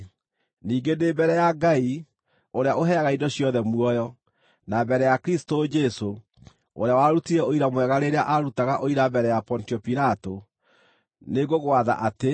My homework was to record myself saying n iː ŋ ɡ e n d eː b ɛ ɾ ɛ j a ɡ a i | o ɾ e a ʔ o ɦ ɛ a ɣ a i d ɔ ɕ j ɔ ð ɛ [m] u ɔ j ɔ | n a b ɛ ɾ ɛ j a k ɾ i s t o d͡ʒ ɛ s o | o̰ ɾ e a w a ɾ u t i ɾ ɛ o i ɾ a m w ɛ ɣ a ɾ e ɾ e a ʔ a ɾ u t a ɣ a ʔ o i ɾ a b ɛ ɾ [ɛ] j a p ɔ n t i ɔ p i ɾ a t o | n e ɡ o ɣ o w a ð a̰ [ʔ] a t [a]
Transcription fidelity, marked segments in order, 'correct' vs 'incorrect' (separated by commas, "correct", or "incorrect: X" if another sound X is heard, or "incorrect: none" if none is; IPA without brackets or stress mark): correct, correct, correct, incorrect: e